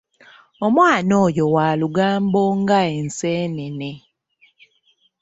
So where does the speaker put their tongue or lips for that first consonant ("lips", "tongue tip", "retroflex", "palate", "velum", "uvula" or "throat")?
lips